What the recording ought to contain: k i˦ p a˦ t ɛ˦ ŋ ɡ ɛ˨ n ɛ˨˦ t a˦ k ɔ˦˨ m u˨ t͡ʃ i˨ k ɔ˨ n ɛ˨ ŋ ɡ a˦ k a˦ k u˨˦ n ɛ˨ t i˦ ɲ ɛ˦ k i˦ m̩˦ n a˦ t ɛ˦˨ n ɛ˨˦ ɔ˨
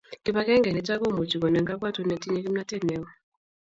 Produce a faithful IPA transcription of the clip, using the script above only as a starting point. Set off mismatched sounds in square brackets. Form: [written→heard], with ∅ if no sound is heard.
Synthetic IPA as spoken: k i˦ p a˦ [t→k] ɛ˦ ŋ ɡ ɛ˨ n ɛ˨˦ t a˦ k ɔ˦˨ m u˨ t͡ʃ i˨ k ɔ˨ n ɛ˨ ŋ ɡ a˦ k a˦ [k→t] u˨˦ n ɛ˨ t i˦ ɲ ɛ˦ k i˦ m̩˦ n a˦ t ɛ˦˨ n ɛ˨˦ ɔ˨